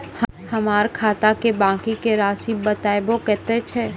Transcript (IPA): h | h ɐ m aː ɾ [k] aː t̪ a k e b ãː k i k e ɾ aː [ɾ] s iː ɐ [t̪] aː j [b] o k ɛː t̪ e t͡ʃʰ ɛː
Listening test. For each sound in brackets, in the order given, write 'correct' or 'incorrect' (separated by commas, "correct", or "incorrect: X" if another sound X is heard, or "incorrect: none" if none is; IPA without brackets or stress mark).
incorrect: kʰ, incorrect: none, correct, correct